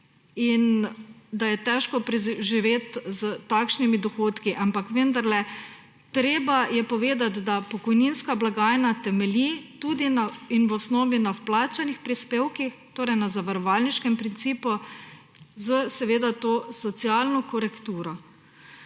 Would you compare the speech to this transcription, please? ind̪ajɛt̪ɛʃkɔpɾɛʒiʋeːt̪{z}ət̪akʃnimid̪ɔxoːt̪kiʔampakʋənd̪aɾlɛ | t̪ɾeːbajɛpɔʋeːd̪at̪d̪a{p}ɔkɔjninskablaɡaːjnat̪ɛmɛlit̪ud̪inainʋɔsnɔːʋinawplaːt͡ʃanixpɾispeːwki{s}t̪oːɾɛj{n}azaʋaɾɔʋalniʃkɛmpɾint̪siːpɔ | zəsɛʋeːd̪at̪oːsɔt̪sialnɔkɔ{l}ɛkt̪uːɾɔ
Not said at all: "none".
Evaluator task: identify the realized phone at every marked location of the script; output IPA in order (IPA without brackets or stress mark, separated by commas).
z, p, x, n, ɾ